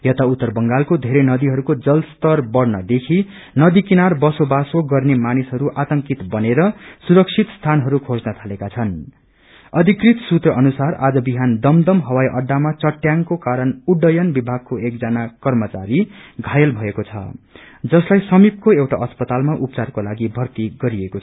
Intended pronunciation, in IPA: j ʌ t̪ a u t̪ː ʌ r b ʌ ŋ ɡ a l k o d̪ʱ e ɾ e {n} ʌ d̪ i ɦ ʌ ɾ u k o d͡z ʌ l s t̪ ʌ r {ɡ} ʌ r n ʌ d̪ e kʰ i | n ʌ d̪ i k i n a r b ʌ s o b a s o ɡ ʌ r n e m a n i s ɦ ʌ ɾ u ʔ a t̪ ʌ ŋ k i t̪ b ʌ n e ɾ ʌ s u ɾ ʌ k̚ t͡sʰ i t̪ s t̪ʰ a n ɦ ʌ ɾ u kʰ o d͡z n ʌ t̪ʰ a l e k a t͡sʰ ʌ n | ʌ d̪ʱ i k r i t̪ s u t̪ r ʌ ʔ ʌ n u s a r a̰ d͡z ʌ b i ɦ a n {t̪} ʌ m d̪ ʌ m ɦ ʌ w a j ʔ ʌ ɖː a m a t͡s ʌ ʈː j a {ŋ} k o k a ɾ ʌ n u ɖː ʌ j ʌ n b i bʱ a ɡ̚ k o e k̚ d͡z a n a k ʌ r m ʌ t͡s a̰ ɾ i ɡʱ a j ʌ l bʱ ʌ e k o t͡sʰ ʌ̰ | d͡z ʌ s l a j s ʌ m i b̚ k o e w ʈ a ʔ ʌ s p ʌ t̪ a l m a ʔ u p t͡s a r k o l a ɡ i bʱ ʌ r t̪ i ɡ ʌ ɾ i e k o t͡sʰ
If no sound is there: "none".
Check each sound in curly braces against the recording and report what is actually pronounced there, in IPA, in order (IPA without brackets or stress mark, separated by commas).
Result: n, b, d̪, ŋ